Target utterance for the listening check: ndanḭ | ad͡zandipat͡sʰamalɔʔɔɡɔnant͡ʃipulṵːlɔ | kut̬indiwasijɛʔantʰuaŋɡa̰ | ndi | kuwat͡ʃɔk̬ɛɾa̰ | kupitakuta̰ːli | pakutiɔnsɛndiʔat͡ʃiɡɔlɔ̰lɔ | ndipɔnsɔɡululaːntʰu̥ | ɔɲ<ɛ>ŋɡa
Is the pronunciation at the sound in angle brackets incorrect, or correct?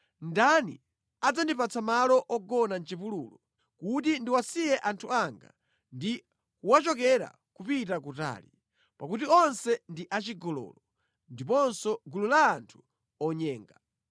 incorrect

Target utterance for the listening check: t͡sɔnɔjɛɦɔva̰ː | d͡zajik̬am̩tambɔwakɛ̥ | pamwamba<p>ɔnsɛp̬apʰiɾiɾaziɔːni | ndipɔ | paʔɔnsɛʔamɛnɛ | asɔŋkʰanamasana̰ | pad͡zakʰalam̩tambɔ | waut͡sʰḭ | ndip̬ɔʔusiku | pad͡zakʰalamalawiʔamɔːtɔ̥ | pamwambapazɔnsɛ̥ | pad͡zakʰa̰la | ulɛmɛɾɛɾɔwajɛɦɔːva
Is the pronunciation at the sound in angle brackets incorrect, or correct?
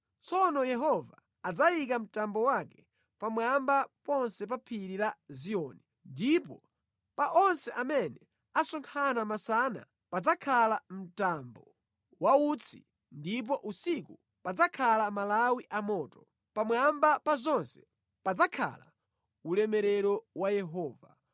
correct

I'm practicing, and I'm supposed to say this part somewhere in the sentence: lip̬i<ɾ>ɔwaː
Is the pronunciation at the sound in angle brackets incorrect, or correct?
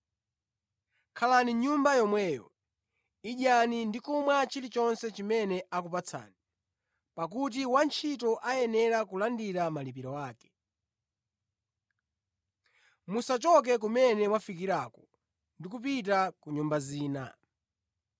correct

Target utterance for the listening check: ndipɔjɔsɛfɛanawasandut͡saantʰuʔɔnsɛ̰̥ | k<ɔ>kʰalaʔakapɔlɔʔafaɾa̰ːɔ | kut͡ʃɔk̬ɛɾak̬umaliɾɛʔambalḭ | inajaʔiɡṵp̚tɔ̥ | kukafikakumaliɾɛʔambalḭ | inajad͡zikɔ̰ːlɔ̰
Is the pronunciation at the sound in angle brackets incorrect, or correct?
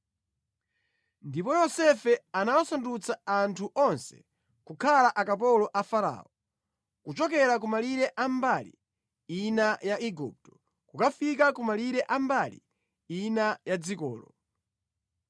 incorrect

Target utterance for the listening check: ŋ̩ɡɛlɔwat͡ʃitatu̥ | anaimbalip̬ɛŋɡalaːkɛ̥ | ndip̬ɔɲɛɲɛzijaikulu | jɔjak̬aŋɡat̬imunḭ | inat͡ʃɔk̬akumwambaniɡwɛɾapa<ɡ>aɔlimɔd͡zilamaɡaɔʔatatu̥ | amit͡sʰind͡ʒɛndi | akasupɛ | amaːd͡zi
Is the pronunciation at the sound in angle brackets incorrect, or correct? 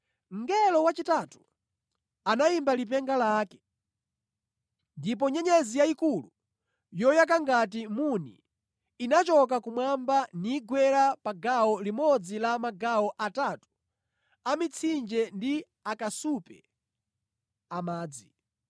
correct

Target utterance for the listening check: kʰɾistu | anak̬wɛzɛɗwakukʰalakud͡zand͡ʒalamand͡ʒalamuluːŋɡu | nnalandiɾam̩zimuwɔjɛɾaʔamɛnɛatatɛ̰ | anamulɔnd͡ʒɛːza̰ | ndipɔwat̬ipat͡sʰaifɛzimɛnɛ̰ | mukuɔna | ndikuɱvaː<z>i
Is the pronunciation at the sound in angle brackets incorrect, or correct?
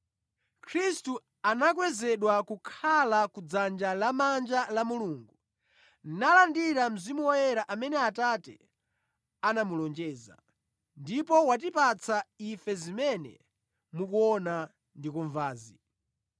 correct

